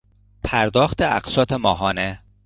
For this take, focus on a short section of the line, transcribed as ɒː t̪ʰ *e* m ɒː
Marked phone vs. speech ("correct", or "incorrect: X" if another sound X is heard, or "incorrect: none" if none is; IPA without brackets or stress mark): correct